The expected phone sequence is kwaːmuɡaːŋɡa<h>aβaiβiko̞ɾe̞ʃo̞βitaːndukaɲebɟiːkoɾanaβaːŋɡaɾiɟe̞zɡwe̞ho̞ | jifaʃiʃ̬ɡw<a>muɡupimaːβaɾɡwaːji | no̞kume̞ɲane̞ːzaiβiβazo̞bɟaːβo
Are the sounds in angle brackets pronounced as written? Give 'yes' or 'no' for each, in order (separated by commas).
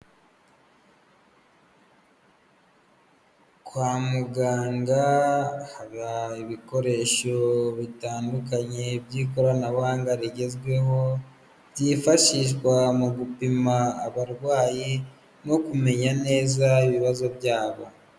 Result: yes, yes